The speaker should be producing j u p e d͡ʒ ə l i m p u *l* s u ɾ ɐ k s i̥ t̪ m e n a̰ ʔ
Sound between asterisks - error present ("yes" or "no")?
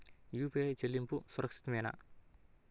yes